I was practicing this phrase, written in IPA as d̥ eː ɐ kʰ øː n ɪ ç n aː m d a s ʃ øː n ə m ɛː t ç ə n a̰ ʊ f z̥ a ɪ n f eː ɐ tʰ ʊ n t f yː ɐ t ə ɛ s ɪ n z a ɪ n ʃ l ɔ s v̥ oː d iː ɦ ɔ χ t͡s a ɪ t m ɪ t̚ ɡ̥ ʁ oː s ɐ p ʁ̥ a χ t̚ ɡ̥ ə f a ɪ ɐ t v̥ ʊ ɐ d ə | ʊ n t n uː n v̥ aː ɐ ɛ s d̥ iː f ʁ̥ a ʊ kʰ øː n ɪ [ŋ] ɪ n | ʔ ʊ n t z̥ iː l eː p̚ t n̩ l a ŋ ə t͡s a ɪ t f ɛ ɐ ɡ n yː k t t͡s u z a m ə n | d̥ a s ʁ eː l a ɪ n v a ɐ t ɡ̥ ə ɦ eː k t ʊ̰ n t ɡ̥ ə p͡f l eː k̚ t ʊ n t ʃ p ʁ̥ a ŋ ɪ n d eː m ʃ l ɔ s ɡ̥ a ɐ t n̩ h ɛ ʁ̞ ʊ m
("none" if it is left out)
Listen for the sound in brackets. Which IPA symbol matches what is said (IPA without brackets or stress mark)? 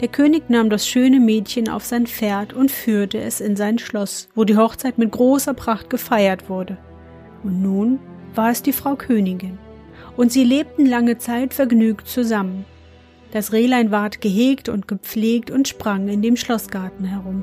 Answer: ɡ